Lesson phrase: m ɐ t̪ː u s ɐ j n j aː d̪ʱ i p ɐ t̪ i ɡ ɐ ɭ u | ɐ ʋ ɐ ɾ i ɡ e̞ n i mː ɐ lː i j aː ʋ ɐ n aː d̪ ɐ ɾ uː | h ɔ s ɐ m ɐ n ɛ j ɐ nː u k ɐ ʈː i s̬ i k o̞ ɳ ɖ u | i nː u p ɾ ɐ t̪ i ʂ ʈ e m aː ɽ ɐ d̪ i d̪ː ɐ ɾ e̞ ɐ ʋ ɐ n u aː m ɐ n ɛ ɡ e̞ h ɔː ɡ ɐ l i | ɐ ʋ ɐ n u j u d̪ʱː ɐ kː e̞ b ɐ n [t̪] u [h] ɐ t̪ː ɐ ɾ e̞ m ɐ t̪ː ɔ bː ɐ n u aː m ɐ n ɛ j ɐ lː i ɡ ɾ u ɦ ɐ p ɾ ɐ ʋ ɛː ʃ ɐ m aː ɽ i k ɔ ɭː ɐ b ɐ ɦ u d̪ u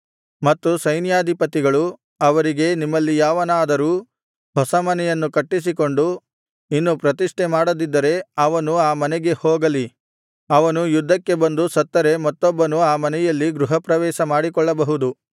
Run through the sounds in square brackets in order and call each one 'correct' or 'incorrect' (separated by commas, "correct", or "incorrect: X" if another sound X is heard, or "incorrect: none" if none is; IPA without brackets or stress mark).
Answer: incorrect: d̪, incorrect: s